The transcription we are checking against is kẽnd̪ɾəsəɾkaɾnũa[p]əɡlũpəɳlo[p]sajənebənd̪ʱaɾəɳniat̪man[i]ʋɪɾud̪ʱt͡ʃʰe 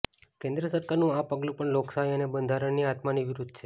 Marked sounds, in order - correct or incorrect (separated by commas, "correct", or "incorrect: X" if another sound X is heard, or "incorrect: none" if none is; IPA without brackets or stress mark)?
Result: correct, incorrect: k, correct